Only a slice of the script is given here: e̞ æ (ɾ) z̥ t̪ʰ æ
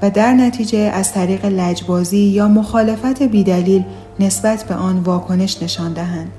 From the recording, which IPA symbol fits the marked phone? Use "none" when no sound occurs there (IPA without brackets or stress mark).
none